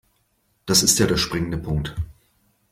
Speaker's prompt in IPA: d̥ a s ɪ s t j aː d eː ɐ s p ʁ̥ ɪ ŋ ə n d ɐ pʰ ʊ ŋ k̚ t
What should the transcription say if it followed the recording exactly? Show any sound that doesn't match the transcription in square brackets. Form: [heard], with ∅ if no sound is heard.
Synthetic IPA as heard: d̥ a s ɪ s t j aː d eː ɐ [ʃ] p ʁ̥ ɪ ŋ ə n d [ə] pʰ ʊ ŋ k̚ t